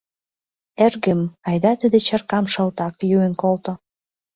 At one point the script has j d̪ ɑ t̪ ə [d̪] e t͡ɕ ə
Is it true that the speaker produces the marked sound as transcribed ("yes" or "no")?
yes